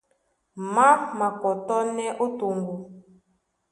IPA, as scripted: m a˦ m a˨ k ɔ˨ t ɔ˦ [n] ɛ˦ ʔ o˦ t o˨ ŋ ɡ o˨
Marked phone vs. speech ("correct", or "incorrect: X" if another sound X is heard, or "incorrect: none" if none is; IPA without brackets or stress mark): correct